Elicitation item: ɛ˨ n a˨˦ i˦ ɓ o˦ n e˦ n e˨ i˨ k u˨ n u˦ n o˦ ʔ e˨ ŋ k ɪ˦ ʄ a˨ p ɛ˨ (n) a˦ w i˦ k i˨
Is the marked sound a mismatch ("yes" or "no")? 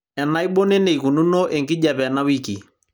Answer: no